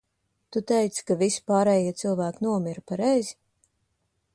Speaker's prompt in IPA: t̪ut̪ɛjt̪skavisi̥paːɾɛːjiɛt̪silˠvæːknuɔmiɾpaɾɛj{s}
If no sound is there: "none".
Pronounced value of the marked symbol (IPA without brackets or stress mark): z